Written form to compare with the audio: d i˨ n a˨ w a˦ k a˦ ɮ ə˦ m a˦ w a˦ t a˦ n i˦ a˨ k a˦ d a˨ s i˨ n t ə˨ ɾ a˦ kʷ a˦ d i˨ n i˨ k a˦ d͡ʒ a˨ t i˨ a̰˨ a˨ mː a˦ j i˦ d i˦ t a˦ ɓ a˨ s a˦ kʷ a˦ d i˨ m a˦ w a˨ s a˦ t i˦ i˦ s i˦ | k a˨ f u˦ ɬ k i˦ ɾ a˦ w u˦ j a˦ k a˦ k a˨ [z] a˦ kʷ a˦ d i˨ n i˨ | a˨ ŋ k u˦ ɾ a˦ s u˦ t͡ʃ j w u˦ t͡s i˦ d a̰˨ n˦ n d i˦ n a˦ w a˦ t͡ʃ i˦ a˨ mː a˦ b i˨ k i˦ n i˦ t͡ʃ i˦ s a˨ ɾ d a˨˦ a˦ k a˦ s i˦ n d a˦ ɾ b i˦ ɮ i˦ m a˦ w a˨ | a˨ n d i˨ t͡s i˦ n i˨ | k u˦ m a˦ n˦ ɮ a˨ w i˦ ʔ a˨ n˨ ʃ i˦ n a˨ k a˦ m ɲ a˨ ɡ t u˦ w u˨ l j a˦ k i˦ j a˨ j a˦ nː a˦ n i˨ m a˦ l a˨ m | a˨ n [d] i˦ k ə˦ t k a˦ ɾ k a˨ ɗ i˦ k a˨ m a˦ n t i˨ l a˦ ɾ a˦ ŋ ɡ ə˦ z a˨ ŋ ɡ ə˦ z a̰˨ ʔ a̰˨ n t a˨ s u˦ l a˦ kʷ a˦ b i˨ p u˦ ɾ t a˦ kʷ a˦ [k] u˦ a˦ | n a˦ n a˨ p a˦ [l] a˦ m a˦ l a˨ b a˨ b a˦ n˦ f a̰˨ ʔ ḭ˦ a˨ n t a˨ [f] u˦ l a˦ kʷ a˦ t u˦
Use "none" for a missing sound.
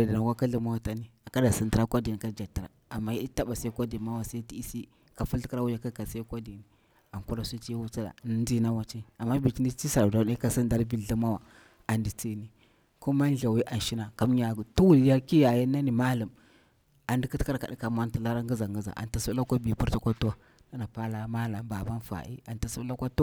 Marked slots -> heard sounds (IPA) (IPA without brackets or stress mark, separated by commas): s, d, t, l, s